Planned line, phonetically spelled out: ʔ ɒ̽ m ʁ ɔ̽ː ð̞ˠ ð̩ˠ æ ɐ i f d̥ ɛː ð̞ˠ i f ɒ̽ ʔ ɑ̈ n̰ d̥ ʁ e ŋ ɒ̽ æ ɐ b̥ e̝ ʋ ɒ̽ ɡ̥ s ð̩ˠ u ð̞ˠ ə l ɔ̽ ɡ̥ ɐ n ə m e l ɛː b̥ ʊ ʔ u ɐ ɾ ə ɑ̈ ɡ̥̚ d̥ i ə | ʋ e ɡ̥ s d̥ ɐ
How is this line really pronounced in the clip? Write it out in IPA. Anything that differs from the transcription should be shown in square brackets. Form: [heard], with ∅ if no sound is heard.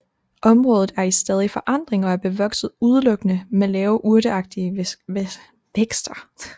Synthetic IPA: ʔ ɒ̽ m ʁ ɔ̽ː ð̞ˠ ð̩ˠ æ ɐ i [s] d̥ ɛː ð̞ˠ i f ɒ̽ ʔ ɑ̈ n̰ d̥ ʁ e ŋ ɒ̽ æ ɐ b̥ e̝ ʋ ɒ̽ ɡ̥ s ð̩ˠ u ð̞ˠ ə l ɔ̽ ɡ̥ [ə] n ə m e l ɛː [∅] ʊ ʔ u ɐ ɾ ə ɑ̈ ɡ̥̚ d̥ i ə | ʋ e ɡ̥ s d̥ ɐ

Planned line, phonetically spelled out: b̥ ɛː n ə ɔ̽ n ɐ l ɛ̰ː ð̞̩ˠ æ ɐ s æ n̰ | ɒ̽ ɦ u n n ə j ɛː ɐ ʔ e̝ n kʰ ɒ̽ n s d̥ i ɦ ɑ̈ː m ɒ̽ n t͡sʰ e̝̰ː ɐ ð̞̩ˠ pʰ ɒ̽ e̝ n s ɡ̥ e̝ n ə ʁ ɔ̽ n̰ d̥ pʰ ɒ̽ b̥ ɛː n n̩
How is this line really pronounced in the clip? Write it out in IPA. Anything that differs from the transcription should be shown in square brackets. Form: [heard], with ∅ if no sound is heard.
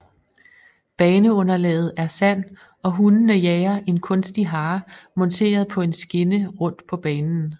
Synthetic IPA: b̥ ɛː n ə ɔ̽ n ɐ l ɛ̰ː ð̞̩ˠ æ ɐ s æ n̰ | ɒ̽ ɦ u n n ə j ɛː ɐ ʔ e̝ n kʰ [ɔ̽] n s d̥ i ɦ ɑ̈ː m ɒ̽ n t͡sʰ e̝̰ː ɐ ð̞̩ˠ pʰ ɒ̽ e̝ n s ɡ̥ e̝ n ə ʁ ɔ̽ n̰ d̥ pʰ ɒ̽ b̥ ɛː n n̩

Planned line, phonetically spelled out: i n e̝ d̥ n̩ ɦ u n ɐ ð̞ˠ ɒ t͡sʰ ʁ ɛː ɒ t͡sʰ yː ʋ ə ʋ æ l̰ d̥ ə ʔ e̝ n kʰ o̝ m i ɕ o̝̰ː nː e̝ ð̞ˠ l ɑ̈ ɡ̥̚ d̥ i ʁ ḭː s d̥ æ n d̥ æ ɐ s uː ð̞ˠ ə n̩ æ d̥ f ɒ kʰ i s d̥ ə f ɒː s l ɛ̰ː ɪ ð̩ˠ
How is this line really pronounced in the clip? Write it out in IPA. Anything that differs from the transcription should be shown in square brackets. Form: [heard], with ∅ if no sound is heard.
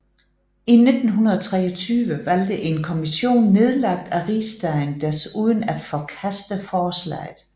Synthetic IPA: i n e̝ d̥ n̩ ɦ u n ɐ ð̞ˠ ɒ t͡sʰ ʁ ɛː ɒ t͡sʰ yː ʋ ə ʋ æ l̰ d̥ ə ʔ e̝ n kʰ o̝ m i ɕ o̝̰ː nː e̝ ð̞ˠ l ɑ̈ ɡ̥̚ d̥ [æ] ʁ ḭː s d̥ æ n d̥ æ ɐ s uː ð̞ˠ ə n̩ æ d̥ f ɒ kʰ [æ] s d̥ ə f ɒː s l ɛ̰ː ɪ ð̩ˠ

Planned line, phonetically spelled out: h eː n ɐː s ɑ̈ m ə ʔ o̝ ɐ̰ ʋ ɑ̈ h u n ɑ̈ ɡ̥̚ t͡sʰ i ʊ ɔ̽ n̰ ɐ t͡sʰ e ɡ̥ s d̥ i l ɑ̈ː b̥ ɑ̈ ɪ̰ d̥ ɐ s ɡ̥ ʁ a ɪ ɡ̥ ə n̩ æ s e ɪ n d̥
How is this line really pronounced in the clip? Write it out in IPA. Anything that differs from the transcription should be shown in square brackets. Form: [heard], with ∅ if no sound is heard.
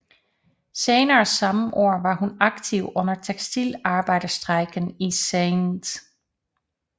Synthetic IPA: [s] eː n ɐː s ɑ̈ m ə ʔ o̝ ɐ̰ ʋ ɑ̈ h u n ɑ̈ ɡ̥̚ t͡sʰ i ʊ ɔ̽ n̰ ɐ t͡sʰ e ɡ̥ s d̥ i l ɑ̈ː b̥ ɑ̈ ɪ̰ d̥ ɐ s [d̥] ʁ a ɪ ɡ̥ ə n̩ [i] s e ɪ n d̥

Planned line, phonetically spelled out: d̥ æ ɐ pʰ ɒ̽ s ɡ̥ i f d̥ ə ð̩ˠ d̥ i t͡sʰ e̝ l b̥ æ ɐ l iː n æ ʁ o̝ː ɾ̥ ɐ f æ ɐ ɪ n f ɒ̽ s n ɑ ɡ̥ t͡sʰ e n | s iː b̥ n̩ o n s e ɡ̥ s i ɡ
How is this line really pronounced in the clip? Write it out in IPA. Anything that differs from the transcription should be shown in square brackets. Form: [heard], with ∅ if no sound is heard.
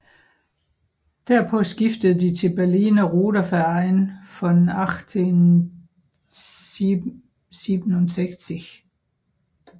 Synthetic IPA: d̥ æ ɐ pʰ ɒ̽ s ɡ̥ i f d̥ ə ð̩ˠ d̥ i t͡sʰ e̝ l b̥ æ ɐ l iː n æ ʁ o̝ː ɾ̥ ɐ f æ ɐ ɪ n f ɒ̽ [∅] n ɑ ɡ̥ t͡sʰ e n | s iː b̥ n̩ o n s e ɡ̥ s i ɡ

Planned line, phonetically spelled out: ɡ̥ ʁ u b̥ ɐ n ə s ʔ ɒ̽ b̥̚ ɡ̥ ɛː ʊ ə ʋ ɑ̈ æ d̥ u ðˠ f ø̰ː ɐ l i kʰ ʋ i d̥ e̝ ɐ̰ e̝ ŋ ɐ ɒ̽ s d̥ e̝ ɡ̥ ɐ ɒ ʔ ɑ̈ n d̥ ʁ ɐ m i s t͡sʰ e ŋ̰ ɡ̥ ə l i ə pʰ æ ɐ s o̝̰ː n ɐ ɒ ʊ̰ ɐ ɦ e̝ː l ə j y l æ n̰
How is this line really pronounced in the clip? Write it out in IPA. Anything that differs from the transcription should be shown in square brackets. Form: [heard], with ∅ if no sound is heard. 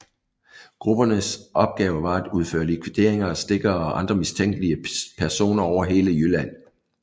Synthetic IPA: ɡ̥ ʁ u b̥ ɐ n ə s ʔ ɒ̽ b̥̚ ɡ̥ ɛː ʊ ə ʋ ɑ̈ æ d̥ u ðˠ f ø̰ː ɐ l i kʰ ʋ i d̥ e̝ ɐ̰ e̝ ŋ ɐ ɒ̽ s d̥ e̝ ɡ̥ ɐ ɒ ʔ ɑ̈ n d̥ ʁ ɐ m i s t͡sʰ e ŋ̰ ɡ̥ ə l i ə pʰ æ ɐ s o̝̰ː n ɐ ɒ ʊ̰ ɐ ɦ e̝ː l ə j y l æ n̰

